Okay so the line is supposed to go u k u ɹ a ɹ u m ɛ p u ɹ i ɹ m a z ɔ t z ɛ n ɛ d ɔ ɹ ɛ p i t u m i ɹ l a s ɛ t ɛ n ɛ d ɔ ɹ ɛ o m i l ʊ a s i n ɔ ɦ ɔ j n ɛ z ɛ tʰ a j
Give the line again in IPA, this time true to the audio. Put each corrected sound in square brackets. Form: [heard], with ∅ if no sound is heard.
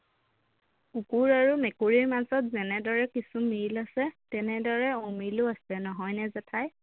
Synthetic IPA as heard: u k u ɹ a ɹ u m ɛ [k] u ɹ i ɹ m a z ɔ t z ɛ n ɛ d ɔ ɹ ɛ [k] i [s] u m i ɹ l a s ɛ t ɛ n ɛ d ɔ ɹ ɛ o m i l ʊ a s [ɛ] n ɔ ɦ ɔ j n ɛ z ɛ tʰ a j